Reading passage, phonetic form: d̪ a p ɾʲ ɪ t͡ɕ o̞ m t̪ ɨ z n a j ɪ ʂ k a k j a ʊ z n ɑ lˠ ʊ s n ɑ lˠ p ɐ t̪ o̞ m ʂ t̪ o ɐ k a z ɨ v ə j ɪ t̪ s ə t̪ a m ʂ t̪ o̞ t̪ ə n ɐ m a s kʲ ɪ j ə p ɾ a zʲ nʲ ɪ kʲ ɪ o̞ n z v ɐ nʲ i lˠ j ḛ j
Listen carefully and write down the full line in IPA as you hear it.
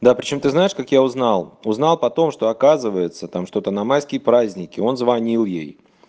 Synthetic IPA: d̪ a p ɾʲ ɪ t͡ɕ o̞ m t̪ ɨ z n a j ɪ ʂ k a k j a ʊ z n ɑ lˠ ʊ z n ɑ lˠ p ɐ t̪ o̞ m ʂ t̪ o ɐ k a z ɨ v ə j ɪ t̪ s ə t̪ a m ʂ t̪ o̞ t̪ ə n ɐ m a s kʲ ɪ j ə p ɾ a zʲ nʲ ɪ kʲ ɪ o̞ n z v ɐ nʲ i lˠ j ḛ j